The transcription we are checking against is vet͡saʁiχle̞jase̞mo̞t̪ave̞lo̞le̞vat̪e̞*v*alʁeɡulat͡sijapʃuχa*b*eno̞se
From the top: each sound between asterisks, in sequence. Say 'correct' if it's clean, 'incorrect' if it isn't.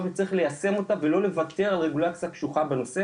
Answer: incorrect: ʁ, correct

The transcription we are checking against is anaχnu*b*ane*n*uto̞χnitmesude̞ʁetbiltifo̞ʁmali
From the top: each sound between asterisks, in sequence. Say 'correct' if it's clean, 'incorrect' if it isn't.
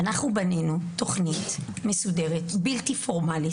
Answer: correct, correct

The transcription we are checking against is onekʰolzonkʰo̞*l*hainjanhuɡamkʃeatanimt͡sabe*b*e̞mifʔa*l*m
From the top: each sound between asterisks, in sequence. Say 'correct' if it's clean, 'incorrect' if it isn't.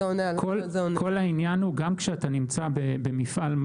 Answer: correct, correct, correct

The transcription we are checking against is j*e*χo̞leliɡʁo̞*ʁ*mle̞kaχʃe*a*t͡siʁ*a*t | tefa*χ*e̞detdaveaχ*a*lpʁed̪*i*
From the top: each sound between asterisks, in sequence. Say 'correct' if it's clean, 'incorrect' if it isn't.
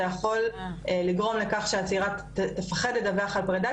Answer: incorrect: a, incorrect: none, correct, correct, correct, correct, incorrect: a

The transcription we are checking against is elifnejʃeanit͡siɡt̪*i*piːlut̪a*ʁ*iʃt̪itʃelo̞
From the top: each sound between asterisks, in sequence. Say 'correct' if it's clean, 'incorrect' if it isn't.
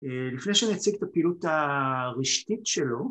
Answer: incorrect: a, correct

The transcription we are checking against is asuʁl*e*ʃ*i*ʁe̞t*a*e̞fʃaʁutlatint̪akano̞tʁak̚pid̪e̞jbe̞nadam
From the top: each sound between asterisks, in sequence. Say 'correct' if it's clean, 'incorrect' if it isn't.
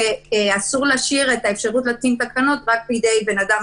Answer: incorrect: a, correct, correct

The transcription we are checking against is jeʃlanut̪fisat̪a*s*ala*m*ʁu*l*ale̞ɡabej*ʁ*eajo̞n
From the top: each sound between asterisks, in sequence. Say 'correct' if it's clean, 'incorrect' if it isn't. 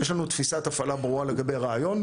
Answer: incorrect: f, incorrect: b, incorrect: none, correct

